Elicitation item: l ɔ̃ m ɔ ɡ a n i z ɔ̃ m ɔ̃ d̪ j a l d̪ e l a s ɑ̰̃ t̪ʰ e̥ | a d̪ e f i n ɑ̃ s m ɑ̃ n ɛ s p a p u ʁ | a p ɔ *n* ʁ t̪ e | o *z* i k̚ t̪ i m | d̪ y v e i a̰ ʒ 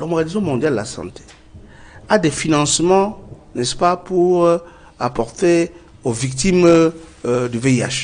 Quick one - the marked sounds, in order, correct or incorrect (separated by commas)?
incorrect, incorrect